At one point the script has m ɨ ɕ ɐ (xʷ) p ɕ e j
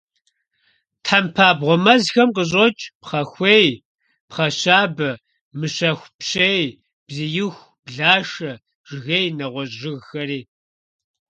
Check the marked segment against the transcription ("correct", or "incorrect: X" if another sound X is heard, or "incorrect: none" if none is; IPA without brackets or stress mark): correct